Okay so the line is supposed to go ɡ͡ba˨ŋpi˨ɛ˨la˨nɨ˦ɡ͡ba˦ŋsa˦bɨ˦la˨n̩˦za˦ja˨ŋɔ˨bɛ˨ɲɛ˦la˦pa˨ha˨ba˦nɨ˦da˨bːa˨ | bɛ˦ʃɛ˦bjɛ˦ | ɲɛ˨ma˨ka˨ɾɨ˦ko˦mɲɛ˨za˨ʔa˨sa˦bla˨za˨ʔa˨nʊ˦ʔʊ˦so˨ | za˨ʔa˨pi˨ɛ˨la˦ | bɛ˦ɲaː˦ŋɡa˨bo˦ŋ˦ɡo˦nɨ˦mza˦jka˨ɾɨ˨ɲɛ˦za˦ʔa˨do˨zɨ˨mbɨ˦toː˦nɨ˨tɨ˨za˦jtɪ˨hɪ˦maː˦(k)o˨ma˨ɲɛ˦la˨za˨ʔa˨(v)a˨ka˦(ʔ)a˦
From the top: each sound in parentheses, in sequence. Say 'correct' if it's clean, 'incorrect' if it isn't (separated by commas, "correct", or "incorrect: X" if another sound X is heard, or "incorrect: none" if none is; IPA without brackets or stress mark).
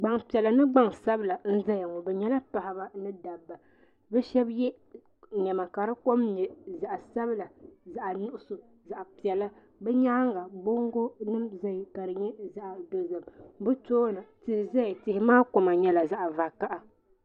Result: correct, correct, correct